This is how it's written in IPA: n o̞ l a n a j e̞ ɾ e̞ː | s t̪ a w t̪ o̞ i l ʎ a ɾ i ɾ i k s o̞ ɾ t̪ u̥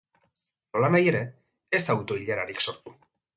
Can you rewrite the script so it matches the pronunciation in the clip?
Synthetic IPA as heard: n o̞ l a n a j e̞ ɾ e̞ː | s t̪ a w t̪ o̞ i ʎ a ɾ a ɾ i k s o̞ ɾ t̪ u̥